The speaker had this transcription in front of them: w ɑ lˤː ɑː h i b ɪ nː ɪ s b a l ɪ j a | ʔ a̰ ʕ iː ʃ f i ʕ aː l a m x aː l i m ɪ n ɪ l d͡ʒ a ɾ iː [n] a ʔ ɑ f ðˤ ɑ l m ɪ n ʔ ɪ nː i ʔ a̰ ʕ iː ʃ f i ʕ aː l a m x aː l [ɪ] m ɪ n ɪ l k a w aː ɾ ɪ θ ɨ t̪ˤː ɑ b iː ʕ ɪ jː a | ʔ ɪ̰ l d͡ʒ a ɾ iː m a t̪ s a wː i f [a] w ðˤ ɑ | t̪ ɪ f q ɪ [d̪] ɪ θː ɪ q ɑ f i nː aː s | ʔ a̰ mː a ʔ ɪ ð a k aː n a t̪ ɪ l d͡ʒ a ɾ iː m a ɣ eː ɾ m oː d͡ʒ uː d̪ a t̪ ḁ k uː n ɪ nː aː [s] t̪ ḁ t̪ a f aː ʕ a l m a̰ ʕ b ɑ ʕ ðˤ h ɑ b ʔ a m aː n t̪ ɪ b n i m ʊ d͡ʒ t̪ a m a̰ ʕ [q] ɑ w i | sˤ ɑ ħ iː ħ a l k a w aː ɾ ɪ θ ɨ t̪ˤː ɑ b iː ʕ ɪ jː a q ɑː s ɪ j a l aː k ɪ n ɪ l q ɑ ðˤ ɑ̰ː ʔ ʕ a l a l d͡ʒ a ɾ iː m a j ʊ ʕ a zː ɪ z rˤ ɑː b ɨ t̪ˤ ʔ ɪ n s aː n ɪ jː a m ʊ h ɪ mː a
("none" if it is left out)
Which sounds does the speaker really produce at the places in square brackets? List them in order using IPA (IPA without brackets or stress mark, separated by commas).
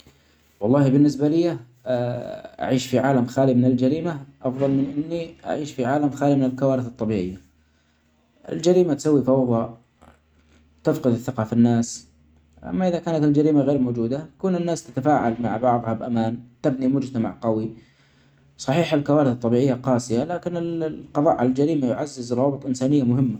m, i, ɑ, d̪, s, q